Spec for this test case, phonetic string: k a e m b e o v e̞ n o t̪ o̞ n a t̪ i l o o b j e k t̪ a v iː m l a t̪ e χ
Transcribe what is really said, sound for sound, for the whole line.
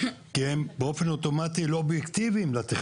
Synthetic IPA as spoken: k i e m b e o f e̞ n o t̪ o̞ m a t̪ i l o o b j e k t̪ i v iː m l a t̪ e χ